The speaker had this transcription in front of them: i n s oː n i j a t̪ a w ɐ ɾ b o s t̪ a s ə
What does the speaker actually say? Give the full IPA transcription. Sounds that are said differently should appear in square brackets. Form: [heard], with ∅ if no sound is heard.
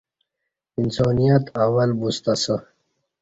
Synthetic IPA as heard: i n s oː n i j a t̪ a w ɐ [l] b [u] s t̪ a s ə